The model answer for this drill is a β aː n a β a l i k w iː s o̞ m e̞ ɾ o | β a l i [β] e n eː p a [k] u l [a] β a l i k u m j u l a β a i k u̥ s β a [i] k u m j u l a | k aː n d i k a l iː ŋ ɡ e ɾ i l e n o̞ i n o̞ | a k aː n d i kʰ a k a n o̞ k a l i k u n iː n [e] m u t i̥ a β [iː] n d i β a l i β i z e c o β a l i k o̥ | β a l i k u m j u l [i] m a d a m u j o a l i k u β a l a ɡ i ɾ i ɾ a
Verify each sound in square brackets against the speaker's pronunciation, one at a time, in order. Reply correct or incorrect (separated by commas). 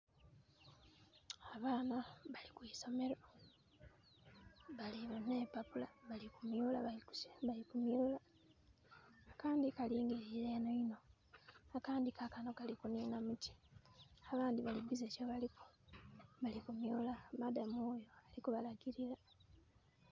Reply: correct, incorrect, correct, correct, incorrect, incorrect, incorrect